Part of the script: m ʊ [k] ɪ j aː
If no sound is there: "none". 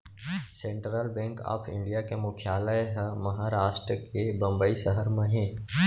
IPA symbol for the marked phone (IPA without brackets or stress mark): kʰ